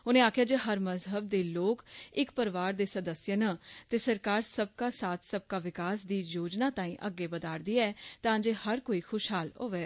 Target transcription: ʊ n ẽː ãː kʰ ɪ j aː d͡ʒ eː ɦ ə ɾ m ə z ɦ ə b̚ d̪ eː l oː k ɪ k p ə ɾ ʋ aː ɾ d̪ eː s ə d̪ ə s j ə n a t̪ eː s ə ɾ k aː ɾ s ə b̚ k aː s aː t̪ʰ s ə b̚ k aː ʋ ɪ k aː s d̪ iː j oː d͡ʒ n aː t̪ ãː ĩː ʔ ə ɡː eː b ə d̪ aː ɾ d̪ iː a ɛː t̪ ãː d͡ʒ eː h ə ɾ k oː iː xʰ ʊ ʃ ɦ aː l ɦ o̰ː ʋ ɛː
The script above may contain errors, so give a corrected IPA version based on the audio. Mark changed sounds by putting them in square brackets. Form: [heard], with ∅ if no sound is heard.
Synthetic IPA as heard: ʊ n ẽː [aː] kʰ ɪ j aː d͡ʒ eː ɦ ə ɾ m ə z ɦ ə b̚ d̪ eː l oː k ɪ k p ə ɾ ʋ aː ɾ d̪ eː s ə d̪ ə s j ə n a t̪ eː s ə ɾ k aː ɾ s ə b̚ k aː s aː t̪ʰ s ə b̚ k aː ʋ ɪ k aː s d̪ iː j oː d͡ʒ n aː t̪ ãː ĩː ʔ ə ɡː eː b ə d̪ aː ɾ d̪ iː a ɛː t̪ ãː d͡ʒ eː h ə ɾ k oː iː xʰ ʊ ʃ ɦ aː l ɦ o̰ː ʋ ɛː

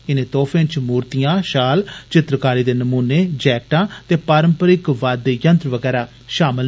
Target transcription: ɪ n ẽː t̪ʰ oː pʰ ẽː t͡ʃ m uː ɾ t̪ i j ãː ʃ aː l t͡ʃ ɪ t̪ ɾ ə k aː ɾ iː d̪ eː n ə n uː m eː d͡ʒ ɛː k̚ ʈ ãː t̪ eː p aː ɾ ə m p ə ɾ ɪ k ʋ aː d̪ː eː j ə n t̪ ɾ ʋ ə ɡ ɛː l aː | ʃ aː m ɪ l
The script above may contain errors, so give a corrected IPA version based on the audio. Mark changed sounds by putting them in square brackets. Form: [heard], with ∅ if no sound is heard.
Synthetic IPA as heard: ɪ n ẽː [t̪] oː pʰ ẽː t͡ʃ m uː ɾ t̪ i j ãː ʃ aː l t͡ʃ ɪ t̪ ɾ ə k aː ɾ iː d̪ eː n ə [m] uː [n] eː d͡ʒ ɛː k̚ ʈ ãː t̪ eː p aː ɾ ə m p ə ɾ ɪ k ʋ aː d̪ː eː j ə n t̪ ɾ ʋ ə ɡ ɛː [ɾ] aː | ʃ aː m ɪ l

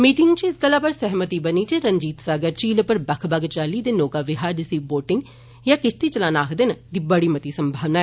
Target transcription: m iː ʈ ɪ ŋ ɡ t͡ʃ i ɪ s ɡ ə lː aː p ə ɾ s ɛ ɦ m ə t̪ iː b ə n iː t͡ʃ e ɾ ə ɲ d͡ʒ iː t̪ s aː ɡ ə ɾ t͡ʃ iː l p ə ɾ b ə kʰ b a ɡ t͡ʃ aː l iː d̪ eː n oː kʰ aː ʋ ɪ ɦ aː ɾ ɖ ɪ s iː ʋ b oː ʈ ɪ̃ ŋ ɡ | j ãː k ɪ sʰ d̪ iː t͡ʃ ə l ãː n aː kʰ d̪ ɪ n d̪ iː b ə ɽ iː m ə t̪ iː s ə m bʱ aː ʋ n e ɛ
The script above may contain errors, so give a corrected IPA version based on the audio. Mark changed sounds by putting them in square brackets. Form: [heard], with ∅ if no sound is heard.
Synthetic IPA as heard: m iː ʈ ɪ ŋ ɡ t͡ʃ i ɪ s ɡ ə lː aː p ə ɾ s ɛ ɦ m ə t̪ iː b ə n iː t͡ʃ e ɾ ə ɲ d͡ʒ iː t̪ s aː ɡ ə ɾ t͡ʃ iː l p ə ɾ b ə kʰ b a ɡ t͡ʃ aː l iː d̪ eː n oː [k] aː ʋ ɪ ɦ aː ɾ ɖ ɪ s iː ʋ b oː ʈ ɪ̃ ŋ ɡ | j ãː k ɪ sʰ [t̪] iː t͡ʃ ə l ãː n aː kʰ d̪ ɪ n d̪ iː b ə ɽ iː m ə t̪ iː s ə m bʱ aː ʋ n [a] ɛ

